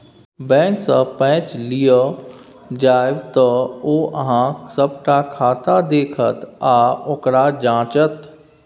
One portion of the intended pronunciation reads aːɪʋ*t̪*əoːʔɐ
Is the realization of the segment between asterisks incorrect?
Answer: no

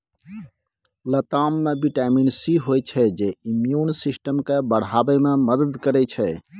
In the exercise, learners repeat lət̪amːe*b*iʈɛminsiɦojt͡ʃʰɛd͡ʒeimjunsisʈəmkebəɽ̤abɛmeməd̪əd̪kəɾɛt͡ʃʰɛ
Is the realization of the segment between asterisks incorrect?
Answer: no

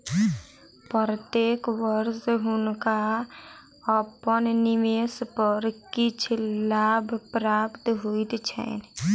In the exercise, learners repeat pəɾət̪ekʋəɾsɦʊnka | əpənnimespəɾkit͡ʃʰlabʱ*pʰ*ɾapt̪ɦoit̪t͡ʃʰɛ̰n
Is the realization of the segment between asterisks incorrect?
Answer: yes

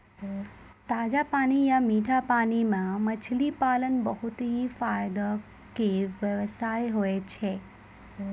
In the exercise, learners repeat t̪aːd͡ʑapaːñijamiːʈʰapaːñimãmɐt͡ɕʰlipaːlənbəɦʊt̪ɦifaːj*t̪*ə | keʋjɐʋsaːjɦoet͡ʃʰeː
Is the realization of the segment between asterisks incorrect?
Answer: yes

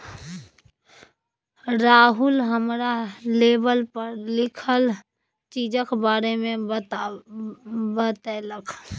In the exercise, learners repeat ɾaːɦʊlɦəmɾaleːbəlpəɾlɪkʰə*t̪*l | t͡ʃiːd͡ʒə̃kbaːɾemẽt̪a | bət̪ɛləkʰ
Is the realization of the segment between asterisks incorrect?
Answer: yes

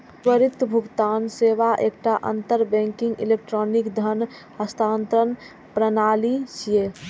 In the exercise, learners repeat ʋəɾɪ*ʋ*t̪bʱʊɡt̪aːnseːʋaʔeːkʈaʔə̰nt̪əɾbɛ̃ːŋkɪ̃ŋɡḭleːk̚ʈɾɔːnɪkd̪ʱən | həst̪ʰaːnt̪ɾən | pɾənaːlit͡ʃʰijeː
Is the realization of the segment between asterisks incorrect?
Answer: yes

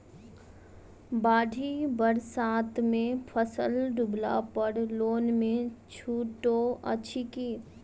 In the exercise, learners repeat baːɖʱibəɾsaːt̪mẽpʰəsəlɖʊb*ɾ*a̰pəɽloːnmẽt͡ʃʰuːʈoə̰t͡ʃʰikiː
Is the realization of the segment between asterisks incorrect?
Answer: yes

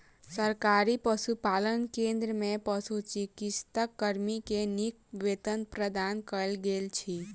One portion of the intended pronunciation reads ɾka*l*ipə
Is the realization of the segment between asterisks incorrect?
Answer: yes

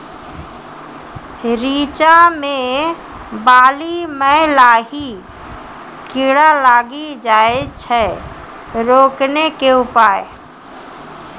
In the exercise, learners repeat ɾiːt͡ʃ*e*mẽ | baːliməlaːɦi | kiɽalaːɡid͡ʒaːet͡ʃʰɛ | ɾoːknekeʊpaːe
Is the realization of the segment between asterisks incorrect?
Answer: yes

